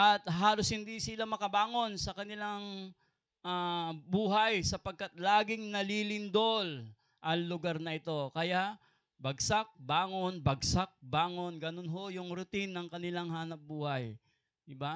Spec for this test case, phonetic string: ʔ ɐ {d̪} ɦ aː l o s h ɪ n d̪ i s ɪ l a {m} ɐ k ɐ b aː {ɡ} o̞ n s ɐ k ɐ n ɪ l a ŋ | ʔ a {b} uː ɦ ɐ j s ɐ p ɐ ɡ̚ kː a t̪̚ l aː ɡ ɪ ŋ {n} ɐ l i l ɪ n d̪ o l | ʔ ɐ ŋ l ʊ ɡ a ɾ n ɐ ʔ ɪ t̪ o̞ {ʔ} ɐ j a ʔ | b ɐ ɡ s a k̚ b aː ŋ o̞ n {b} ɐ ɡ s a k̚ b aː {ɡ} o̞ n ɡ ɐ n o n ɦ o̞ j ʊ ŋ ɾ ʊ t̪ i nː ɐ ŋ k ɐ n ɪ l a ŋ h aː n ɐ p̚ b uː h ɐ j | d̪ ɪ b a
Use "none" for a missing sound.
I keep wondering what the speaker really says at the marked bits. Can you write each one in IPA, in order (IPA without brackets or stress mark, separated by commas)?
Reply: t̪, m, ŋ, b, n, k, b, ŋ